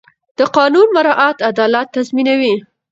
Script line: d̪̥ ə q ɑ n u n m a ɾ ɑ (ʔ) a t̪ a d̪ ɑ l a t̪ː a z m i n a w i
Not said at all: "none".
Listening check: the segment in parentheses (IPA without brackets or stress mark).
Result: ʔ